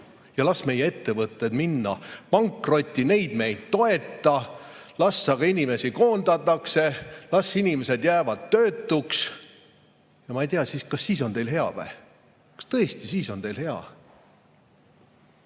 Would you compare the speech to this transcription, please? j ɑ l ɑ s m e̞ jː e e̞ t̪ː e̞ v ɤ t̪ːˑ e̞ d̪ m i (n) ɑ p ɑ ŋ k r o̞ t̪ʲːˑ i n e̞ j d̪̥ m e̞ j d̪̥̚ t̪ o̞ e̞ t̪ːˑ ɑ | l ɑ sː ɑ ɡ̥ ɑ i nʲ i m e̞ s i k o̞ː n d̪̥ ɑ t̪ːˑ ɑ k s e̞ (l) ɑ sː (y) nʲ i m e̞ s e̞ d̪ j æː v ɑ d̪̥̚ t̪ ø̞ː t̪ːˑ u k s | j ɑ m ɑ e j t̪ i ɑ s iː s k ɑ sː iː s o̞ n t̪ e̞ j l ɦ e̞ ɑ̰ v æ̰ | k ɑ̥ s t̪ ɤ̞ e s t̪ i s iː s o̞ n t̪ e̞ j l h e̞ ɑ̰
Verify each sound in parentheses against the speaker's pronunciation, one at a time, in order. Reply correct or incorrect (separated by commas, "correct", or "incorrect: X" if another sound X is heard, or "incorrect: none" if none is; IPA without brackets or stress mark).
incorrect: nː, correct, incorrect: i